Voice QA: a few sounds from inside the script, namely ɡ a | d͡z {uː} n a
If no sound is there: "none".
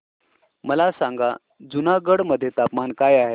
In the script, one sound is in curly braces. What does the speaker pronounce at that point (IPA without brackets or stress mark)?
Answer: u